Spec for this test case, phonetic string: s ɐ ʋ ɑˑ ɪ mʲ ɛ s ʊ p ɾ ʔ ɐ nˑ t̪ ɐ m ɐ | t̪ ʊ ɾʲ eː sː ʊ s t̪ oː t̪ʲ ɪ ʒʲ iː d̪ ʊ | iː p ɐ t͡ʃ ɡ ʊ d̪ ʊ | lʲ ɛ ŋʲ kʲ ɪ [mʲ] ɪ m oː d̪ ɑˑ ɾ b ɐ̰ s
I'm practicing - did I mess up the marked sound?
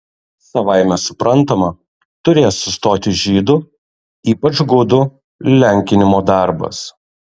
yes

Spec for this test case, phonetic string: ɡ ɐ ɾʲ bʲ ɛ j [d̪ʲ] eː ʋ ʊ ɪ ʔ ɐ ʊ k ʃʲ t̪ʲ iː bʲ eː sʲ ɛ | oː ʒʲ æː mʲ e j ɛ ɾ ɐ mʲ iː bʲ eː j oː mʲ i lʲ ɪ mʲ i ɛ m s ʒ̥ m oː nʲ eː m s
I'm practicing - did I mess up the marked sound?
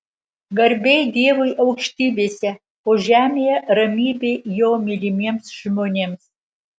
no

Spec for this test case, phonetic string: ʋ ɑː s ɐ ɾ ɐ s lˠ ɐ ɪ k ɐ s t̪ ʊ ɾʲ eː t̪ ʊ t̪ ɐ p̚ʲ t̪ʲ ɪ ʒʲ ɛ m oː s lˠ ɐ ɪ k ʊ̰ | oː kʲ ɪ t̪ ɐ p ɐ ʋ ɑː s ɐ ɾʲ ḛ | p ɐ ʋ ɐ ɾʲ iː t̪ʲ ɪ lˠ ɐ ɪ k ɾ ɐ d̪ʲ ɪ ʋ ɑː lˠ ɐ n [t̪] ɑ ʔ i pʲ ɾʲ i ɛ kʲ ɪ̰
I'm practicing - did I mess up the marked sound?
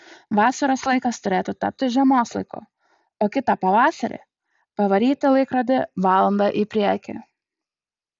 yes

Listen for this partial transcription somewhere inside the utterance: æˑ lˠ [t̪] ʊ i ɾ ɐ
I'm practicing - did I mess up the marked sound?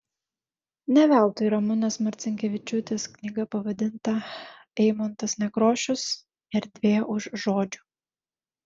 no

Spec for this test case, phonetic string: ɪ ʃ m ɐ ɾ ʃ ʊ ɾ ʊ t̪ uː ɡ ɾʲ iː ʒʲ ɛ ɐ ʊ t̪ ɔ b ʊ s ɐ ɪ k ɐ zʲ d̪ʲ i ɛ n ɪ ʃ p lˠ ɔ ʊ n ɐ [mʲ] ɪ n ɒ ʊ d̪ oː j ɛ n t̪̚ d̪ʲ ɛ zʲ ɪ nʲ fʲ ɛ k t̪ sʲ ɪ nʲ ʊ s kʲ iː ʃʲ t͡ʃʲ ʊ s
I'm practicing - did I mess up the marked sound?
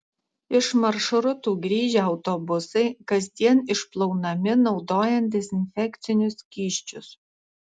no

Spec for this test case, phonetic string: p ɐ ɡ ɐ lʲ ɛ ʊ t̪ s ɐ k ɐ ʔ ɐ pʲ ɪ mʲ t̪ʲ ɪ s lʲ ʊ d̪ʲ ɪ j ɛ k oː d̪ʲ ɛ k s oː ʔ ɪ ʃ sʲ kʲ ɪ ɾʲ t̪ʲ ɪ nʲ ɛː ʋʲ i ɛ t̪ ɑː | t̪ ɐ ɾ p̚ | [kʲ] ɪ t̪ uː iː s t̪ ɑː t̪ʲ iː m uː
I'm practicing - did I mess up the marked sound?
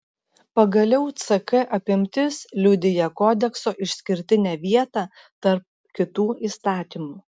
no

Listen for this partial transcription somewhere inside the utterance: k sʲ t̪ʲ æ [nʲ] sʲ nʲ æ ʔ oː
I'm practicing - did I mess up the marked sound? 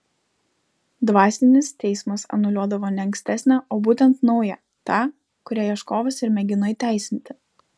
yes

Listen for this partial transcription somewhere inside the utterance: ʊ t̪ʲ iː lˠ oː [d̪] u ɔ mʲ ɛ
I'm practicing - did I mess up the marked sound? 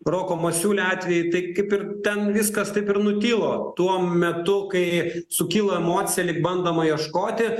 yes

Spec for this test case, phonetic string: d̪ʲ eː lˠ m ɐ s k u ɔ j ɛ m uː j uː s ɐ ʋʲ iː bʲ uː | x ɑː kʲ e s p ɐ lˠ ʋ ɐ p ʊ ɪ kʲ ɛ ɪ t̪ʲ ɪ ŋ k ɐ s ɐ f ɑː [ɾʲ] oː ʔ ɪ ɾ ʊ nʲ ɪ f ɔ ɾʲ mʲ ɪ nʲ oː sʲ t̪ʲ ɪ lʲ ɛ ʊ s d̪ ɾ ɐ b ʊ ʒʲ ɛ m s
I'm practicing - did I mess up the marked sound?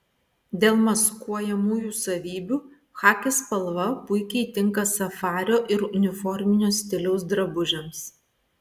no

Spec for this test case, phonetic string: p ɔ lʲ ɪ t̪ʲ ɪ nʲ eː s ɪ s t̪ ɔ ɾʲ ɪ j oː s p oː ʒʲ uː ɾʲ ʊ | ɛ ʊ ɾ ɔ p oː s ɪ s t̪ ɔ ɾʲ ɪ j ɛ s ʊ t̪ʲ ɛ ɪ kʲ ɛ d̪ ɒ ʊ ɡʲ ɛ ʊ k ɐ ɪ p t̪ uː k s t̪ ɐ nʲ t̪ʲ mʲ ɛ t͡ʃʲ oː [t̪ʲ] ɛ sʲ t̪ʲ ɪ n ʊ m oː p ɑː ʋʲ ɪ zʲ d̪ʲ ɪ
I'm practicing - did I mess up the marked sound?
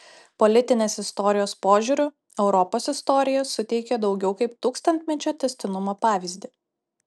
no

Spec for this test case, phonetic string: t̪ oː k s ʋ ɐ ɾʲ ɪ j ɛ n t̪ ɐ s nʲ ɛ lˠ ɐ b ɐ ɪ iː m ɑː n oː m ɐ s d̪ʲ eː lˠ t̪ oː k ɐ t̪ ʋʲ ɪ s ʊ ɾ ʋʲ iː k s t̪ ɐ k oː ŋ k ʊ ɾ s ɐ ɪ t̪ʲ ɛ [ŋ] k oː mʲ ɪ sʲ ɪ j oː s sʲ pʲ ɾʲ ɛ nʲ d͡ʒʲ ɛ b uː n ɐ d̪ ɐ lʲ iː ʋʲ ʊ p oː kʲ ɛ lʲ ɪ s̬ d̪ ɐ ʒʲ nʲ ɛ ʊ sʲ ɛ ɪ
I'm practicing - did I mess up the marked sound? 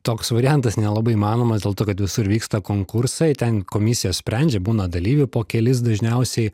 yes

